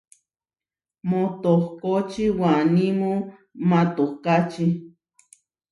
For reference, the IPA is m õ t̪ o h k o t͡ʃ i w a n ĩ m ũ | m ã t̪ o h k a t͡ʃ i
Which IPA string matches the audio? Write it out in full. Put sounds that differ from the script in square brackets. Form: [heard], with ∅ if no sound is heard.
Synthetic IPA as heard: m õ t̪ o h k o t͡ʃ i w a n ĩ m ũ | m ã t̪ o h k a t͡ʃ i